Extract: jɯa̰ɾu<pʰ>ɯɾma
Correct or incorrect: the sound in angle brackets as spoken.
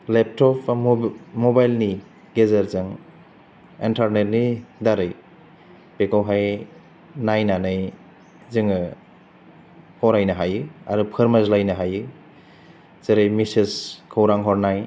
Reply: correct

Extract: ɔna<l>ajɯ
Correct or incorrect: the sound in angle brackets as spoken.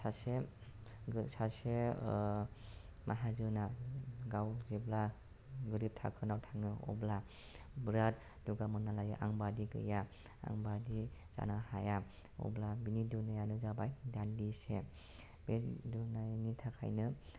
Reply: correct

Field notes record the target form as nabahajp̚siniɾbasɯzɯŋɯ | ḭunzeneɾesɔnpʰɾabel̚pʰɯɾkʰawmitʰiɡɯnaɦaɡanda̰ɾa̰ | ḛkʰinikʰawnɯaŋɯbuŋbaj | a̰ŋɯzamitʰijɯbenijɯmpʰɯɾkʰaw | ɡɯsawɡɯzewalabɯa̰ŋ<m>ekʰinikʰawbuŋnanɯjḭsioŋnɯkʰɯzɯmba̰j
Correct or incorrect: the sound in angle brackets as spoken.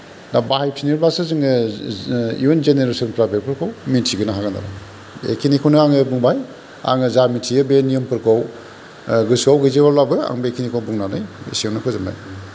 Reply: incorrect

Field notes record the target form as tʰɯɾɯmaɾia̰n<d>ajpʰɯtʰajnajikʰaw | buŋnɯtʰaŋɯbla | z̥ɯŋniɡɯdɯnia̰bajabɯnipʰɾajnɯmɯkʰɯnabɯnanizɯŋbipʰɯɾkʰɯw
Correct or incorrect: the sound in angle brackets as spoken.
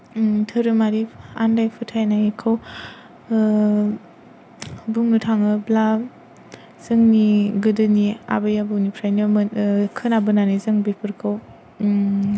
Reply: correct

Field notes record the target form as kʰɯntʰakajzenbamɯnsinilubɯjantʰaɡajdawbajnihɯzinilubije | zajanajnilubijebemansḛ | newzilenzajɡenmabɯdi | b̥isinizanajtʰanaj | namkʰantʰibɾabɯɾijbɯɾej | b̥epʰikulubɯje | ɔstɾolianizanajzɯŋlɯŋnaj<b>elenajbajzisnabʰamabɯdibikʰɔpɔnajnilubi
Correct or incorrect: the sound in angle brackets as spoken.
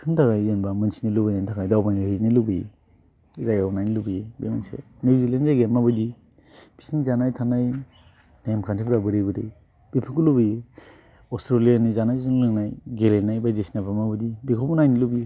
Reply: incorrect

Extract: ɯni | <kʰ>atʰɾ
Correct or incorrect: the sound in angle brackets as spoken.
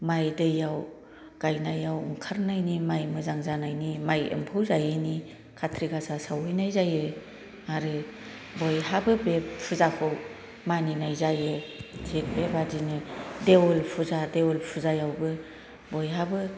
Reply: correct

